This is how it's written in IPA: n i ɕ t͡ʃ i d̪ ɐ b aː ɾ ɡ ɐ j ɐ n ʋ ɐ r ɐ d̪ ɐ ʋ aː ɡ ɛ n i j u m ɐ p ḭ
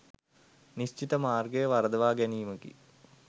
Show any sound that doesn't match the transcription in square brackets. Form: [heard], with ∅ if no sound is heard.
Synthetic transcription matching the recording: n i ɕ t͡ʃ i [t̪] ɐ [m] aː [r] ɡ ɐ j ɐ [∅] ʋ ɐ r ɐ d̪ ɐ ʋ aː ɡ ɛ n i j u m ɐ [k] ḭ